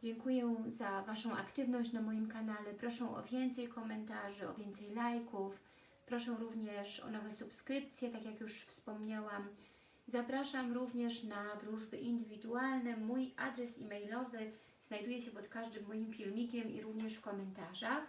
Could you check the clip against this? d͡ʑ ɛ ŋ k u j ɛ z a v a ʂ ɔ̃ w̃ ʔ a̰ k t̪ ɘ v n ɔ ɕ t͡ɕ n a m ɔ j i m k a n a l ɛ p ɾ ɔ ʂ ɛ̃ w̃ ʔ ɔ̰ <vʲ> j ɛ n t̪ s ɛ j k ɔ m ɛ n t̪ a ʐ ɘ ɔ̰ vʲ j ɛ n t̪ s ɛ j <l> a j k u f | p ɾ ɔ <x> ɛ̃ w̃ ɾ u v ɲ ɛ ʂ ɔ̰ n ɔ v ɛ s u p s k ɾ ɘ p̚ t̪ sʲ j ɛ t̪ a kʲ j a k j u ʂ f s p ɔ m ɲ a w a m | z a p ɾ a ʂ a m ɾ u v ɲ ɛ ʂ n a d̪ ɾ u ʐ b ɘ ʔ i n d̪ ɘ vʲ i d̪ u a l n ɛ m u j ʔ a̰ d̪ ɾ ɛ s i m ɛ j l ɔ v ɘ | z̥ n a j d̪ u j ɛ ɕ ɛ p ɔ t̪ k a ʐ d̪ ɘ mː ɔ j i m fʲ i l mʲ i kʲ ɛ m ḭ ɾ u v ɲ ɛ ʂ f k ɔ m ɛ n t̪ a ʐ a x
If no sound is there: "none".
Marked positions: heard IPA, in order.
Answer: vʲ, l, ʂ

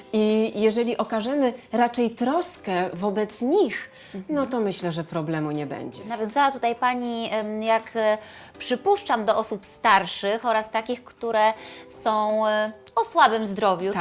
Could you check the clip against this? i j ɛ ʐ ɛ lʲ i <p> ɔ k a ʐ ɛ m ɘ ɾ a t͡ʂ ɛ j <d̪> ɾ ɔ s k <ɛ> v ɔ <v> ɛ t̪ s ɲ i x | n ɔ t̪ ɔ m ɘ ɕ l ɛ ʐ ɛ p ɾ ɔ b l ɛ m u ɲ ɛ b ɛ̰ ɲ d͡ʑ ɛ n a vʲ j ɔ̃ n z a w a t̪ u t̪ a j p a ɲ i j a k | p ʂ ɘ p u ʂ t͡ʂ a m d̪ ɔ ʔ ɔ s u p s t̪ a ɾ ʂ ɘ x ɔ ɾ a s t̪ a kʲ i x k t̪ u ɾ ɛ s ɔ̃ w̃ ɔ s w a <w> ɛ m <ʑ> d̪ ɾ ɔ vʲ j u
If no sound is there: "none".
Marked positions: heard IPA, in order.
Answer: ʔ, t̪, ɛ, b, b, z

